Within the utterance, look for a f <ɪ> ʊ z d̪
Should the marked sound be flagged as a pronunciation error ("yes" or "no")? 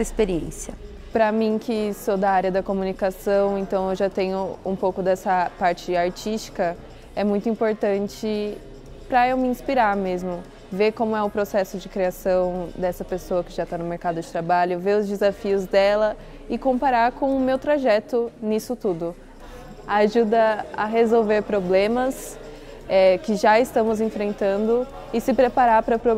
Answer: yes